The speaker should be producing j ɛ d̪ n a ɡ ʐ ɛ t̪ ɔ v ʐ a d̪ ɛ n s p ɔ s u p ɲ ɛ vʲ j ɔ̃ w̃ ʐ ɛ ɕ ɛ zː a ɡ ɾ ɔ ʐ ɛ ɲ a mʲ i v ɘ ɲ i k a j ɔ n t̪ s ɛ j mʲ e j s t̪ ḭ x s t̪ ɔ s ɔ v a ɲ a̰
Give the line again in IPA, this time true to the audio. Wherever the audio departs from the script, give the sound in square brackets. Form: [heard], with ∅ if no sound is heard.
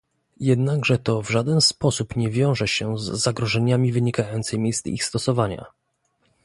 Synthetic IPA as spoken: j ɛ d̪ n a ɡ ʐ ɛ t̪ ɔ v ʐ a d̪ ɛ n s p ɔ s u p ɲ ɛ vʲ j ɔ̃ w̃ ʐ ɛ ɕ ɛ zː a ɡ ɾ ɔ ʐ ɛ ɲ a mʲ i v ɘ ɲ i k a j ɔ n t̪ s ɛ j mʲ e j s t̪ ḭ x s t̪ ɔ s ɔ v a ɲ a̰